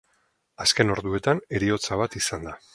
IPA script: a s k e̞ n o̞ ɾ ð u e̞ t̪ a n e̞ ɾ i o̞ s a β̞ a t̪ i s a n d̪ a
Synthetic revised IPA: a s k e̞ n o̞ ɾ ð u e̞ t̪ a n e̞ ɾ i o̞ t͡s a β̞ a t̪ i s a n d̪ a